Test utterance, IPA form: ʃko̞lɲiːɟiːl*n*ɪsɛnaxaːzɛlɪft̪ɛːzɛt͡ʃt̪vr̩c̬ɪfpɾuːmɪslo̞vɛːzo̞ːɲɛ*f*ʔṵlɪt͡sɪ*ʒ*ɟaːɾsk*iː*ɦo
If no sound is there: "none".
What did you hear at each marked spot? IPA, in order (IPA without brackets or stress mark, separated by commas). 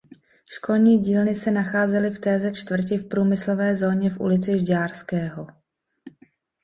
n, f, ʒ, ɛː